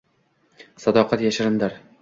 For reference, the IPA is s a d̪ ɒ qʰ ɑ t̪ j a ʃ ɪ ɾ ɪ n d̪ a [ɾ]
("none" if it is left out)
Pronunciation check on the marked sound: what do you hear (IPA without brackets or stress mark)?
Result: ɾ